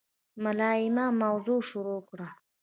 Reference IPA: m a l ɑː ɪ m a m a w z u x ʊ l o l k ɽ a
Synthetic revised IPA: m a l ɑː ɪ m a m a w z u ʃ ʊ ɾ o k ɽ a